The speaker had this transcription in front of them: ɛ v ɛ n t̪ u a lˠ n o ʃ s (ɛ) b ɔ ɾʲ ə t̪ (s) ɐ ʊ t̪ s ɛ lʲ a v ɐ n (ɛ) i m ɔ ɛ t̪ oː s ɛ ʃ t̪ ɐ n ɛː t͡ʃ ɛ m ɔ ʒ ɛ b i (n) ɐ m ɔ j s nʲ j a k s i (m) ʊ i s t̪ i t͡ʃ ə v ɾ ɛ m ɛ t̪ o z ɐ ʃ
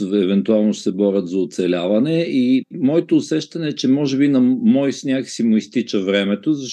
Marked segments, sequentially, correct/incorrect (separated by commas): correct, incorrect, correct, correct, correct